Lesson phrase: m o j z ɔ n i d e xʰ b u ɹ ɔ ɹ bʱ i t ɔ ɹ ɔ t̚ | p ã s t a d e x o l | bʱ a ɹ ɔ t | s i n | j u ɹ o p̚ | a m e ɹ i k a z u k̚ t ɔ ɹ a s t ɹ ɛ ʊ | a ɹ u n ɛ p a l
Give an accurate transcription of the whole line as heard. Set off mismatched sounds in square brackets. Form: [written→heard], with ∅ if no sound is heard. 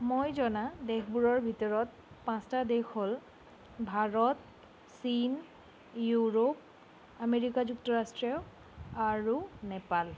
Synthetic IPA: m o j z ɔ n [i→a] d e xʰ b u ɹ ɔ ɹ bʱ i t ɔ ɹ ɔ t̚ | p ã s t a d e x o l | bʱ a ɹ ɔ t | s i n | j u ɹ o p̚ | a m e ɹ i k a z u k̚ t ɔ ɹ a s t ɹ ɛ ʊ | a ɹ u n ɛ p a l